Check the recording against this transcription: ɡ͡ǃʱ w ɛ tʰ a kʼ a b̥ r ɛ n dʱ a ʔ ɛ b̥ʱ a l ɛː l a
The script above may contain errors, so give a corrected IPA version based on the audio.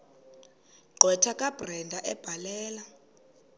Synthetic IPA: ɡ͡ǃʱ w ɛ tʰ a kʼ a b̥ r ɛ n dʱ a ʔ ɛ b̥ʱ a l ɛː l a